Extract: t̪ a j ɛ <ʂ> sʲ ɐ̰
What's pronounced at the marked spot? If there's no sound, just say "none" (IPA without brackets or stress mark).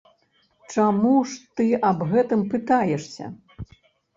ʂ